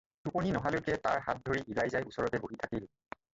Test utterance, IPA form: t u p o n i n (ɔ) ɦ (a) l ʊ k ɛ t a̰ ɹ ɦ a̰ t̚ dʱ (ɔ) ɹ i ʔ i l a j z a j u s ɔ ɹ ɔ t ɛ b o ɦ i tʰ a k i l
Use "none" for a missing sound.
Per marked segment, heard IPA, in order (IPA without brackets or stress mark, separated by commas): ɔ, a, o